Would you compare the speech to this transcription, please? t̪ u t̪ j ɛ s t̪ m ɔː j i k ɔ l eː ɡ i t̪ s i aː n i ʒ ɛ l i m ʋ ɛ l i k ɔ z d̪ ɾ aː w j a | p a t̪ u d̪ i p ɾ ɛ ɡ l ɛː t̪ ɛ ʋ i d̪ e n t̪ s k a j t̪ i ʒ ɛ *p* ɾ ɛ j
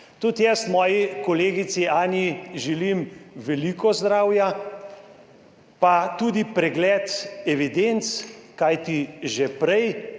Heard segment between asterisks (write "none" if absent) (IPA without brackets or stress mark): p